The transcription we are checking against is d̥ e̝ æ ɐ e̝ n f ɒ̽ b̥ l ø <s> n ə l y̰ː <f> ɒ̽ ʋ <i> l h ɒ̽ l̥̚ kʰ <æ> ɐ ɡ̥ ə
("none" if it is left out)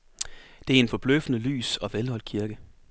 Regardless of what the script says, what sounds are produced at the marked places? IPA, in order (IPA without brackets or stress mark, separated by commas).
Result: f, s, e, i